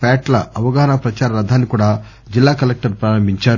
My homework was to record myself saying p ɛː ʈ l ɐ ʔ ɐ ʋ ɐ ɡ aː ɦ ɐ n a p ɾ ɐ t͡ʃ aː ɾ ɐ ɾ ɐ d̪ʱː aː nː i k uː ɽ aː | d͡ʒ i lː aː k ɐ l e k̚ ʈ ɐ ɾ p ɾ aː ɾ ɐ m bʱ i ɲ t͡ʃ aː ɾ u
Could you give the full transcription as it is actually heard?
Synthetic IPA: p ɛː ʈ l ɐ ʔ ɐ ʋ ɐ ɡ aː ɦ ɐ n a p ɾ ɐ t͡ʃ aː ɾ ɐ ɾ ɐ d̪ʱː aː nː i k uː ɽ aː | d͡ʒ i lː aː k ɐ l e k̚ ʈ ɐ ɾ p ɾ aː ɾ ɐ m bʱ i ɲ t͡ʃ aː ɾ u